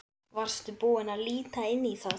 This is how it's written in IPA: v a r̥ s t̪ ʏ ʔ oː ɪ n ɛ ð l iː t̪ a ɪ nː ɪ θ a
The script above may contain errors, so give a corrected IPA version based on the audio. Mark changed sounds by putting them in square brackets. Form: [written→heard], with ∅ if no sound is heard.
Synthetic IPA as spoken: v a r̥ s t̪ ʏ [ʔ→p] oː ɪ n [ɛ→a] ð l iː t̪ a ɪ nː [ɪ→i] θ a